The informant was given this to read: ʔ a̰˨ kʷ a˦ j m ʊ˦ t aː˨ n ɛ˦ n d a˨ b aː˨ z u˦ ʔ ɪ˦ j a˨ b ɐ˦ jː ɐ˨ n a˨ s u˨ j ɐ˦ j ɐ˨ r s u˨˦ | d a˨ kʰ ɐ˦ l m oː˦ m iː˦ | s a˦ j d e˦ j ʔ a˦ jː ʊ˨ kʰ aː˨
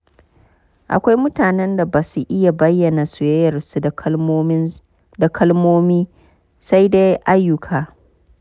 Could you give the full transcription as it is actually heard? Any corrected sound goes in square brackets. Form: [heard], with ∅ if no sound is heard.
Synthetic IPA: ʔ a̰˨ kʷ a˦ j m ʊ˦ t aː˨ n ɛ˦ n d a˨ b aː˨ [s] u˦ ʔ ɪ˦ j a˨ b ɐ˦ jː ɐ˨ n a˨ s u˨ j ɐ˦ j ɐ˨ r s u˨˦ | d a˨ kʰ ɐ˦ l m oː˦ m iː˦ | s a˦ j d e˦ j ʔ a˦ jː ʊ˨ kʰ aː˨